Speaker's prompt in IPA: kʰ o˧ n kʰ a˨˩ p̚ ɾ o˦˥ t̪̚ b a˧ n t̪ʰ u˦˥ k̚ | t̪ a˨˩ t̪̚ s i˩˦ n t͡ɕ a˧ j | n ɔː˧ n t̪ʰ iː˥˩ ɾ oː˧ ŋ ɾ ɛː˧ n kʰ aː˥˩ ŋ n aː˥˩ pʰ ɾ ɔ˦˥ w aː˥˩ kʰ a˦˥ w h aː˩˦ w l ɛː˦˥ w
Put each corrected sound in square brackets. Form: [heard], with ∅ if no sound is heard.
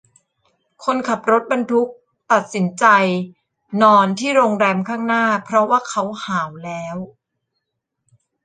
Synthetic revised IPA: kʰ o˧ n kʰ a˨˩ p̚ ɾ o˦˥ t̪̚ b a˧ n t̪ʰ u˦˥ k̚ | t̪ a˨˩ t̪̚ s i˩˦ n t͡ɕ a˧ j | n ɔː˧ n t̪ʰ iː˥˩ ɾ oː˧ ŋ ɾ ɛː˧ [m] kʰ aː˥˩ ŋ n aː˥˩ pʰ ɾ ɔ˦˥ w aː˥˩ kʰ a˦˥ w h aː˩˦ w l ɛː˦˥ w